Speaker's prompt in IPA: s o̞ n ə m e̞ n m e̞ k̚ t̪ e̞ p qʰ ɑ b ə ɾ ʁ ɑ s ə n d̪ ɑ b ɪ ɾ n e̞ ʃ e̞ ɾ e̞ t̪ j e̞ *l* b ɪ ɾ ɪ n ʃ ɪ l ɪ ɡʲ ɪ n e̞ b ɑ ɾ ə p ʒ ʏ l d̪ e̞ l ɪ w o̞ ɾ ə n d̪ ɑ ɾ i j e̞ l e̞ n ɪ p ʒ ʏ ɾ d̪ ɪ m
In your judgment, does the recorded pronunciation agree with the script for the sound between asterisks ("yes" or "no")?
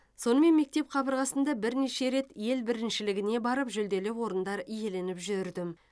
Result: yes